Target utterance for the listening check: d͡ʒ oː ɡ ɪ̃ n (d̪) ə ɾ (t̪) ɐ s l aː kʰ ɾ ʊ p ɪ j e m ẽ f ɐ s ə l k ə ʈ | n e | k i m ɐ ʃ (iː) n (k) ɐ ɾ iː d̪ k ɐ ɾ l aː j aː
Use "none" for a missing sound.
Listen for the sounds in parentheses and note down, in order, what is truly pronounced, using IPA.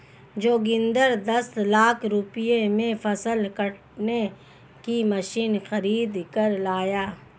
d̪, d̪, iː, x

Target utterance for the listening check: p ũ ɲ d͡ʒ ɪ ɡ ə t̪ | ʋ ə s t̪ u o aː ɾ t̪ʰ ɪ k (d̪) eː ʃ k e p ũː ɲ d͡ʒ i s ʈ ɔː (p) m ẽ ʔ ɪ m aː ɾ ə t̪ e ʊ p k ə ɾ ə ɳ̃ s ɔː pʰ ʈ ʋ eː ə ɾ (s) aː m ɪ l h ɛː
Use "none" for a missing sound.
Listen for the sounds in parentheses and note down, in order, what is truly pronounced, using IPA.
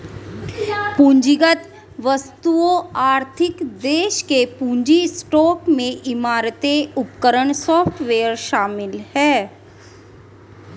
d̪, k, ʃ

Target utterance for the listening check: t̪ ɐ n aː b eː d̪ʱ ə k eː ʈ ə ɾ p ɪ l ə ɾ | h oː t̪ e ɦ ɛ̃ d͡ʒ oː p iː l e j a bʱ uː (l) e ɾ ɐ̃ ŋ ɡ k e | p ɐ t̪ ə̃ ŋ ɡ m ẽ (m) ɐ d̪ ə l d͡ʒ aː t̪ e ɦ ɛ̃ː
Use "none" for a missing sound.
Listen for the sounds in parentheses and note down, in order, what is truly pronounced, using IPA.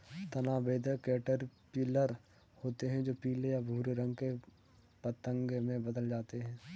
ɾ, b

